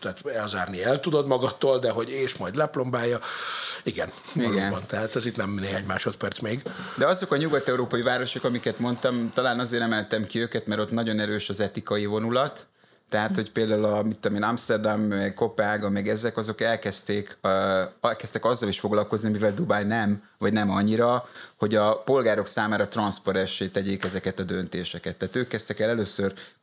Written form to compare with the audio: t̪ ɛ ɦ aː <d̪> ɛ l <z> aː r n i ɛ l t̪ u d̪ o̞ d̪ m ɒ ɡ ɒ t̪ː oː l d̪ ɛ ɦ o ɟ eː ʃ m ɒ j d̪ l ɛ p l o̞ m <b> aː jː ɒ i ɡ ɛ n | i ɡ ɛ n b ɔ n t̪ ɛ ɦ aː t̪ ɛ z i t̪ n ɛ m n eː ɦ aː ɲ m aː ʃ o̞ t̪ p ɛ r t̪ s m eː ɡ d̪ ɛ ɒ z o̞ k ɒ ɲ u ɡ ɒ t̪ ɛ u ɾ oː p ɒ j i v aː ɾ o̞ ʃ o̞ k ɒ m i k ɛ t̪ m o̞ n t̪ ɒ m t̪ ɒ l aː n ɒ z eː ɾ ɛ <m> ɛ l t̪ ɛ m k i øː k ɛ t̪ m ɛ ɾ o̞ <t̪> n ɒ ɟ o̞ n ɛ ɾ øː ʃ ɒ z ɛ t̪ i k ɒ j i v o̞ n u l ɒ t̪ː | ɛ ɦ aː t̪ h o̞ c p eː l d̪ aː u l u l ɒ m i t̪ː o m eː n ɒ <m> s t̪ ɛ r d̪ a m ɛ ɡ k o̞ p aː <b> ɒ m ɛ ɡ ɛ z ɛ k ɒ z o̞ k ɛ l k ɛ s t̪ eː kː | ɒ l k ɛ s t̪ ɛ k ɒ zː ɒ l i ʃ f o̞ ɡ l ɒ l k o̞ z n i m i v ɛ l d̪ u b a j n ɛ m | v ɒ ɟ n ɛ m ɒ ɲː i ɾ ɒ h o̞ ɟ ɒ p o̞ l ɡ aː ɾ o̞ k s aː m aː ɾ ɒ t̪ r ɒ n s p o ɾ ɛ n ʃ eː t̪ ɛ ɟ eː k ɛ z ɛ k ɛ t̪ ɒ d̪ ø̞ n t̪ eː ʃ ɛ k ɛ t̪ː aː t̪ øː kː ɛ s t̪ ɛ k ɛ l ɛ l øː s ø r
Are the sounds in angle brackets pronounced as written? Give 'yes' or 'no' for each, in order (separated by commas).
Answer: no, yes, yes, yes, yes, yes, no